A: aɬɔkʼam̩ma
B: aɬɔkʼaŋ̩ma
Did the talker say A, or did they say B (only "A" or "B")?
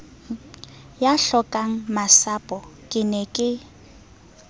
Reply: B